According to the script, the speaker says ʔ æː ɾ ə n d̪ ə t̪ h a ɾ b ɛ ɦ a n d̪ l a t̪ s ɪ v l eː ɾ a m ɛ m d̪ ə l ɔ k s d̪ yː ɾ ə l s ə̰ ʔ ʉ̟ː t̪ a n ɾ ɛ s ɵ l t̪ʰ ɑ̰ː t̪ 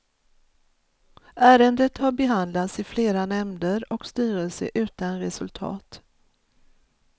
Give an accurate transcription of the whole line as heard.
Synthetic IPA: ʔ æː ɾ ə n d̪ ə t̪ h a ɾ b ɛ ɦ a n d̪ l a t̪ s ɪ f l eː ɾ a n ɛ m d̪ ə ɾ ɔ k s t̪ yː ɾ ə l s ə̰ ʔ ʉ̟ː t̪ a n ɾ ɛ s ɵ l t̪ʰ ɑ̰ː t̪